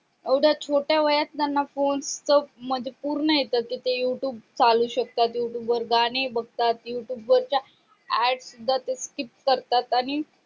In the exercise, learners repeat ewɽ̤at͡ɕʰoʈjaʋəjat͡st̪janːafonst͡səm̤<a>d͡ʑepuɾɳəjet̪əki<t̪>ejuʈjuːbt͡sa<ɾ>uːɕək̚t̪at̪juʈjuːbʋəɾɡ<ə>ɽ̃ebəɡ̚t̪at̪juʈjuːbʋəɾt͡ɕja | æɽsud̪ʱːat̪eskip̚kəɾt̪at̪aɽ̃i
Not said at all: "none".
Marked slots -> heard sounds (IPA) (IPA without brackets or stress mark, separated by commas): ə, t̪, l, a